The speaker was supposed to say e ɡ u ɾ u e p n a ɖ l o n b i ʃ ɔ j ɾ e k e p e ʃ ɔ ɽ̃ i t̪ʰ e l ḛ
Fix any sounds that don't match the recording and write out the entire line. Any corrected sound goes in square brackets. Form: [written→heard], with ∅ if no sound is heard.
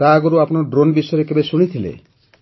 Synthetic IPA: [e→a] ɡ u ɾ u [e→a] p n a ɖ [l→ɾ] o n b i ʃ ɔ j ɾ e k e [p→b] e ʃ [ɔ→u] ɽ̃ i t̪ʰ [e→i] l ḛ